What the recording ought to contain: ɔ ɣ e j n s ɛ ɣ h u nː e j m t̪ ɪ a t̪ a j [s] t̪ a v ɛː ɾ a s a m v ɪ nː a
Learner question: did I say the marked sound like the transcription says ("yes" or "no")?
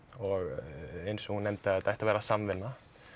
no